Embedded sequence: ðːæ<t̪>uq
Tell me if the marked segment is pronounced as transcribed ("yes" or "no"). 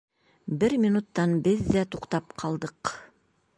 yes